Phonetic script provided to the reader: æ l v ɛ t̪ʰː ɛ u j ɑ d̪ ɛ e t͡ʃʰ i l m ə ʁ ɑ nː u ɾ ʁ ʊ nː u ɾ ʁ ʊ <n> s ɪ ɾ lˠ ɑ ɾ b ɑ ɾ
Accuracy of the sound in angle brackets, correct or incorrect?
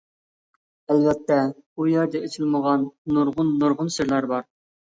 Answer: correct